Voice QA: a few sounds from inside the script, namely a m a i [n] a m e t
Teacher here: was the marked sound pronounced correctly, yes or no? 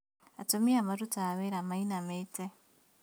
yes